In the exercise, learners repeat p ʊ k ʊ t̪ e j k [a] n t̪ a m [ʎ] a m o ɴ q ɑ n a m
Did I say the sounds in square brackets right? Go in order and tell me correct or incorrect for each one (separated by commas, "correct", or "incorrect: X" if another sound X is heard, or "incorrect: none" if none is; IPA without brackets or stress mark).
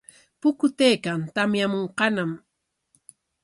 correct, incorrect: j